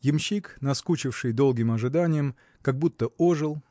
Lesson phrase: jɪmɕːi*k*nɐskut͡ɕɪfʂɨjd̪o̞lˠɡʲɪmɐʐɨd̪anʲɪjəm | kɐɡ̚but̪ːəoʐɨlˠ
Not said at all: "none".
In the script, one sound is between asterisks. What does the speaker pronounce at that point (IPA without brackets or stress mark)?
k